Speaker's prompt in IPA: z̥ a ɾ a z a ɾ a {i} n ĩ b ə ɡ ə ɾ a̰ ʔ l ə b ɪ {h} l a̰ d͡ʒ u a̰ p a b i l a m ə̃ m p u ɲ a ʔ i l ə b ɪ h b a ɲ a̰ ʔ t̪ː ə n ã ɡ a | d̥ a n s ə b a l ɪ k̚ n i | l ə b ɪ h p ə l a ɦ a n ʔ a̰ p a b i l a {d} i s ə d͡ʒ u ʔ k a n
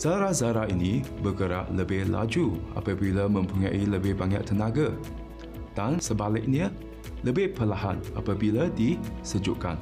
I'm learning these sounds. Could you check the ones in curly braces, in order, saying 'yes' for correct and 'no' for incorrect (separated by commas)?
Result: yes, yes, yes